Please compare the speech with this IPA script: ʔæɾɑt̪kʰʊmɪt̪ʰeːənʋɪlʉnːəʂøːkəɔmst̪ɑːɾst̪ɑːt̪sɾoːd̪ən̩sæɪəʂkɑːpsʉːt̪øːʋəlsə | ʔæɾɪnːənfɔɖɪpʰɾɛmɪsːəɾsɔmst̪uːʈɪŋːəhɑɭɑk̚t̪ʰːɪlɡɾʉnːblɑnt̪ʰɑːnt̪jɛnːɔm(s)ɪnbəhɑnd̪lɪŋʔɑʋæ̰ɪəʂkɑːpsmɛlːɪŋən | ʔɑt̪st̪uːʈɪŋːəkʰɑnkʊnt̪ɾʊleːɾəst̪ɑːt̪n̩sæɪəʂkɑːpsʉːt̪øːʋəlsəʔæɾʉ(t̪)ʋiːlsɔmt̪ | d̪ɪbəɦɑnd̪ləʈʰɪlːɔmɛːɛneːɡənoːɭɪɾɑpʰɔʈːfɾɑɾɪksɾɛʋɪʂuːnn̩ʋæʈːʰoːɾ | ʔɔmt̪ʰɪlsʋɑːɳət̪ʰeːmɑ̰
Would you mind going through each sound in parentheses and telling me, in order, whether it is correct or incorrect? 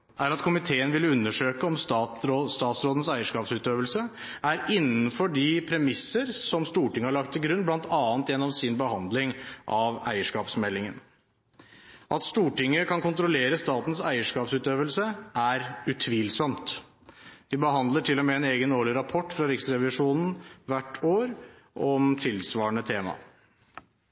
correct, incorrect

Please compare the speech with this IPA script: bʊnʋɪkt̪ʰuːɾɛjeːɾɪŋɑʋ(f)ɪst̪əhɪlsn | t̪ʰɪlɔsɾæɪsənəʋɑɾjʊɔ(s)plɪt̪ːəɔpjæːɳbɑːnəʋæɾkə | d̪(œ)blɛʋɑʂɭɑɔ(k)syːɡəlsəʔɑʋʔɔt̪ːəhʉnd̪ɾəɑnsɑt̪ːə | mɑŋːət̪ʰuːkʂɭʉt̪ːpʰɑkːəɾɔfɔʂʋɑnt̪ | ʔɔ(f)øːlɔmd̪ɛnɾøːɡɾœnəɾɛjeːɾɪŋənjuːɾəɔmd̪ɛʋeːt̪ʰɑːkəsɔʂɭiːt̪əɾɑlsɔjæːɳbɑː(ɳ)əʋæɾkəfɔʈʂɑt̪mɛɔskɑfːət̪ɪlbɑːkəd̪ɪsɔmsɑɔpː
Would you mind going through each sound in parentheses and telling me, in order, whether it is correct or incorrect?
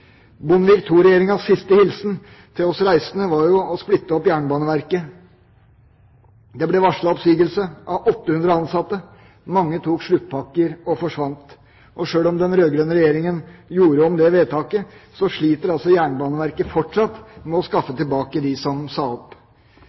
incorrect, correct, incorrect, incorrect, incorrect, incorrect

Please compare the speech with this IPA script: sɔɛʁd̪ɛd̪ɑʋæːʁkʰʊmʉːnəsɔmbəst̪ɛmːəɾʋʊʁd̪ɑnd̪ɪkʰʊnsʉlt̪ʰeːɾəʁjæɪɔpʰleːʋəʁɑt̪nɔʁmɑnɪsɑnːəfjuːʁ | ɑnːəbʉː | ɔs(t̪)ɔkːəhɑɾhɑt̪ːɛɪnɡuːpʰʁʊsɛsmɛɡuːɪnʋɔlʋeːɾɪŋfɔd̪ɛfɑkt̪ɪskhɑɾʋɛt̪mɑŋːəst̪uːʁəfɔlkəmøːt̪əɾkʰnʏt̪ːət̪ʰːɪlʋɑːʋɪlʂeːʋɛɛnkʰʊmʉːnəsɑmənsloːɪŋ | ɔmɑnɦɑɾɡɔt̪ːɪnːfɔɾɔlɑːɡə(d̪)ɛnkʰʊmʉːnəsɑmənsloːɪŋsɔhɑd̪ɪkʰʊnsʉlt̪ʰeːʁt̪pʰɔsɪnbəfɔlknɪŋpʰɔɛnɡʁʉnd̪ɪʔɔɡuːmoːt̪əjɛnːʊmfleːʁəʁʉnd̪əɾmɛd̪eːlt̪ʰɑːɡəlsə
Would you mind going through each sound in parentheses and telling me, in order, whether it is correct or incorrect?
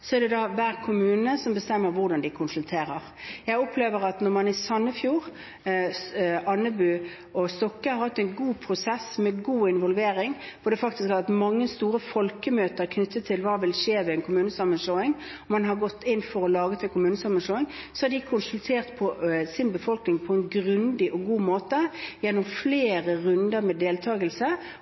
correct, incorrect

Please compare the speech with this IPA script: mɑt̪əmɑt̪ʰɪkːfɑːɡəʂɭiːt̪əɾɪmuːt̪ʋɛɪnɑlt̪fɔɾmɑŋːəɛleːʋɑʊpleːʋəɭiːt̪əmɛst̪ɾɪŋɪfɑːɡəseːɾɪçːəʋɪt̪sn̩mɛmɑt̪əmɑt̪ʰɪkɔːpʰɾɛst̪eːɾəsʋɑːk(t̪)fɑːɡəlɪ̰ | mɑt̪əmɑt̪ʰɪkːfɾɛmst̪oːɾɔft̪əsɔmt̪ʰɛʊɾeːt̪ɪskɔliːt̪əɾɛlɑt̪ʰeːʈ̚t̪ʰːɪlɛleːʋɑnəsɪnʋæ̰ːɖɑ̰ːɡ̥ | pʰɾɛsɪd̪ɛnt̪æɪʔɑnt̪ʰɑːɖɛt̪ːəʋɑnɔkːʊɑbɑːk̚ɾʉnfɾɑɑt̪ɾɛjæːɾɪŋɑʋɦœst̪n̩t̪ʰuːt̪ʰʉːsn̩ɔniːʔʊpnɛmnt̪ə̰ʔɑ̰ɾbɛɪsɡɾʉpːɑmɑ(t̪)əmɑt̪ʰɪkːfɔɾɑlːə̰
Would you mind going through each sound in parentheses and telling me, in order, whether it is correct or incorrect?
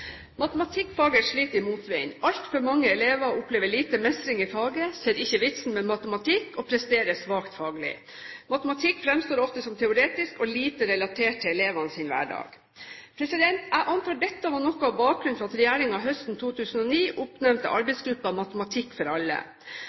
correct, correct

